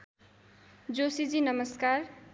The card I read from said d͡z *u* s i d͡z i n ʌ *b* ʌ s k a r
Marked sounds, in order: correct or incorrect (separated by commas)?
incorrect, incorrect